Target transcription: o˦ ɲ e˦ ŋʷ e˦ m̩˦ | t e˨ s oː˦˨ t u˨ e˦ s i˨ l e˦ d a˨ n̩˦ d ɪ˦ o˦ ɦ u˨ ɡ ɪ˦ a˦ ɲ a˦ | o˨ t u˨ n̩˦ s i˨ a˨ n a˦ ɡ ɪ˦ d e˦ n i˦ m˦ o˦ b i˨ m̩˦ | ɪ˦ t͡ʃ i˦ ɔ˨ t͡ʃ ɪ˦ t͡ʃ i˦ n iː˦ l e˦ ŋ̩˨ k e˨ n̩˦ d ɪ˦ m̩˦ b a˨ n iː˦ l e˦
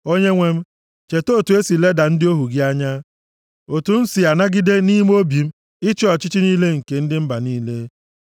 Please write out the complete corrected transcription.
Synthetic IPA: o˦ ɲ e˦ ŋʷ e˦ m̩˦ | t͡ʃ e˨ t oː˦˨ t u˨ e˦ s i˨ l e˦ d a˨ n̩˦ d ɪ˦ o˦ ɦ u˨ ɡ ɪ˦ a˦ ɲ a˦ | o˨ t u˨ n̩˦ s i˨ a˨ n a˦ ɡ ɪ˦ d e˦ n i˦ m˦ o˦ b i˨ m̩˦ | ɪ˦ t͡ʃ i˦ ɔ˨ t͡ʃ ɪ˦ t͡ʃ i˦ n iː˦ l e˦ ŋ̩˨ k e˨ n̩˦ d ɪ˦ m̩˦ b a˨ n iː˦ l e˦

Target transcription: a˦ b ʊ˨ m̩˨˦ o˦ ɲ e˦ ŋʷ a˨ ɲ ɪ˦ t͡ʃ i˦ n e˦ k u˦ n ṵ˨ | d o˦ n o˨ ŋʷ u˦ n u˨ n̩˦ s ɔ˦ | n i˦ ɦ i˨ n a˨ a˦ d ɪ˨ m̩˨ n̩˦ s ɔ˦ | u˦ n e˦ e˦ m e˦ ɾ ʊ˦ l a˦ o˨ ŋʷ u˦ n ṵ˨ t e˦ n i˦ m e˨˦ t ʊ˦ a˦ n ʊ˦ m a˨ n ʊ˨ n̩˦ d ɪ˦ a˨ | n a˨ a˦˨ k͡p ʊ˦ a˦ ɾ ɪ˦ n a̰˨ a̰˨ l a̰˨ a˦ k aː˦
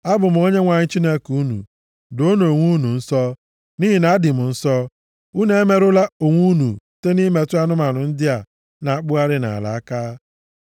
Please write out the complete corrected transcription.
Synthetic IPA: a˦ b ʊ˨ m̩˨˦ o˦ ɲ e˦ ŋʷ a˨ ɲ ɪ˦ t͡ʃ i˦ n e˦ k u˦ n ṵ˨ | d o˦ n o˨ ŋʷ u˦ n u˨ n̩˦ s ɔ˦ | n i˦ ɦ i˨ n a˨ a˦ d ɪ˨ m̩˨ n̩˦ s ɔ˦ | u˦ n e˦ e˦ m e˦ ɾ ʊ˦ l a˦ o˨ ŋʷ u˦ n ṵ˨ t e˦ n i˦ m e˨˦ t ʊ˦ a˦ n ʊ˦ m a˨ n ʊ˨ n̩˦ d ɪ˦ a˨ | n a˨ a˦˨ k͡p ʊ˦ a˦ ɾ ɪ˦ n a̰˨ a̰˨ l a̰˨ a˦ k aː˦

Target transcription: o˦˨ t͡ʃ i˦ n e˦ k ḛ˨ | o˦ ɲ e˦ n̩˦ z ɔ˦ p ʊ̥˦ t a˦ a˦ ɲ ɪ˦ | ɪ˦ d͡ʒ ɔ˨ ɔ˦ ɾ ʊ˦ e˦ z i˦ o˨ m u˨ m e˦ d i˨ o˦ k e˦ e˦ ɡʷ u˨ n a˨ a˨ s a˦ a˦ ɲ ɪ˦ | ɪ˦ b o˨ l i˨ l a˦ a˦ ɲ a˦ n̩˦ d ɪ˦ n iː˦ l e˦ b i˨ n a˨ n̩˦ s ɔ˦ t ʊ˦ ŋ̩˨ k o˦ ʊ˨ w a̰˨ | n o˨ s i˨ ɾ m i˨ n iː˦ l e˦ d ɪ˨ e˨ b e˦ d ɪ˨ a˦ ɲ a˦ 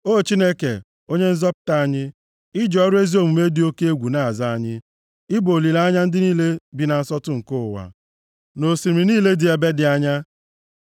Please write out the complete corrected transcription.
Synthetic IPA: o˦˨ t͡ʃ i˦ n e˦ k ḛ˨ | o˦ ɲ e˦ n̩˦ z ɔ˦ p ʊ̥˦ t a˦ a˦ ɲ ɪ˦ | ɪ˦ d͡ʒ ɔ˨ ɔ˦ ɾ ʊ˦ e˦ z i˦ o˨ m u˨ m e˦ d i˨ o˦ k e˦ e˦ ɡʷ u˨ n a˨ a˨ z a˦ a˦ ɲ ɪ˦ | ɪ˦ b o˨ l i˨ l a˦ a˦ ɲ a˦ n̩˦ d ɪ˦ n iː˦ l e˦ b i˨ n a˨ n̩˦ s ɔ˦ t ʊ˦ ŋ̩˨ k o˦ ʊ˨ w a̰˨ | n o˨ s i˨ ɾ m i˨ n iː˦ l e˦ d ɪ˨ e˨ b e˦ d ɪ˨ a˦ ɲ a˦

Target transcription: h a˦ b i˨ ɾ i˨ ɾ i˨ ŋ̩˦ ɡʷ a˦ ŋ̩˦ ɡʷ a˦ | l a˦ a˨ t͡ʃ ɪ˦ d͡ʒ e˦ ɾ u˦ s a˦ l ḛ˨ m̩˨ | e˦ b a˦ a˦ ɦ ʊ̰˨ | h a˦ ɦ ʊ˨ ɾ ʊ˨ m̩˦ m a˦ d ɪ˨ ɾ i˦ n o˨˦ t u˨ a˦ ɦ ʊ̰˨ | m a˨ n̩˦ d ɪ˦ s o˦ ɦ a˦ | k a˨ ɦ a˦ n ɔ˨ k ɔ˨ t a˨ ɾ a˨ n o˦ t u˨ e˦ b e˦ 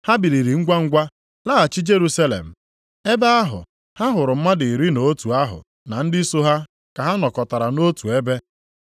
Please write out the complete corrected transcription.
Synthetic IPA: h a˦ b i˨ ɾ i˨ ɾ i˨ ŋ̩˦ ɡʷ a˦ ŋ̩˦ ɡʷ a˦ | l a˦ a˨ t͡ʃ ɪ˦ d͡ʒ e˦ ɾ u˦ s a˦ l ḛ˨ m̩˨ | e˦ b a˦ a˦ ɦ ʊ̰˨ | h a˦ ɦ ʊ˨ ɾ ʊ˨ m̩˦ m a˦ d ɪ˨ ɾ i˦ n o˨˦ t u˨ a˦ ɦ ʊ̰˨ | n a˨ n̩˦ d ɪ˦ s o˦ ɦ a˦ | k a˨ ɦ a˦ n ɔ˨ k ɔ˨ t a˨ ɾ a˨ n o˦ t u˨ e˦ b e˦

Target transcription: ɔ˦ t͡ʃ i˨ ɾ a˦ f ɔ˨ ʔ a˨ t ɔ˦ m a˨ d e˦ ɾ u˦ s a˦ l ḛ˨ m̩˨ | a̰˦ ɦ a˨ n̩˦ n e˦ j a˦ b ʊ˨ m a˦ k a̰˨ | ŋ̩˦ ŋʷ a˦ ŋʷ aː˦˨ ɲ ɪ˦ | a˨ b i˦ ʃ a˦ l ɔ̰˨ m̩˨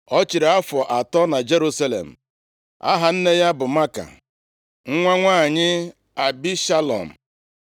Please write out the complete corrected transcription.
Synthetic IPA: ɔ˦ t͡ʃ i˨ ɾ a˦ f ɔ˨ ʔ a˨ t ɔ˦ n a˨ d͡ʒ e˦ ɾ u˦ s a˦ l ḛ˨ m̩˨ | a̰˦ ɦ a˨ n̩˦ n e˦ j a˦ b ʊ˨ m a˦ k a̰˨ | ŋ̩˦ ŋʷ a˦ ŋʷ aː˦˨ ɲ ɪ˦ | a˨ b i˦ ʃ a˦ l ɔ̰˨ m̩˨

